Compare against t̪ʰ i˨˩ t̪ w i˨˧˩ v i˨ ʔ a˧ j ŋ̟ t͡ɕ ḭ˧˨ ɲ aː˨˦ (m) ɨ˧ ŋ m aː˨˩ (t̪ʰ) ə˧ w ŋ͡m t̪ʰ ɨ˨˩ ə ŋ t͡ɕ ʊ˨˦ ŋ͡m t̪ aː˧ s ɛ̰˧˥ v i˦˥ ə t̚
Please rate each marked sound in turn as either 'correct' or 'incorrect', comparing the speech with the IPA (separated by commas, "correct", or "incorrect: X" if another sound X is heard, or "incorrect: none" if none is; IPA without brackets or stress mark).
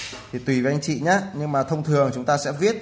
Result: incorrect: ɲ, correct